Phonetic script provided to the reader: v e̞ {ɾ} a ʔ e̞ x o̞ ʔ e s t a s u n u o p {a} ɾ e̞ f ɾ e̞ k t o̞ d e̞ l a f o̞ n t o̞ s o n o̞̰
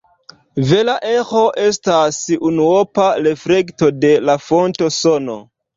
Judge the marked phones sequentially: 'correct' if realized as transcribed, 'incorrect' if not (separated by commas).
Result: incorrect, correct